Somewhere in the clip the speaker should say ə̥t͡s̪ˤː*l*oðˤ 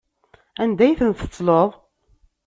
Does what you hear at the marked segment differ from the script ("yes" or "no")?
no